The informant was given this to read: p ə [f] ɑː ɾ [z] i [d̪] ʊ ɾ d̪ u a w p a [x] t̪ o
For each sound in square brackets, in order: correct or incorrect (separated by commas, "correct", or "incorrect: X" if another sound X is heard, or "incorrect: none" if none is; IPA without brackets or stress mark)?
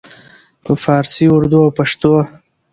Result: correct, incorrect: s, incorrect: none, incorrect: ʂ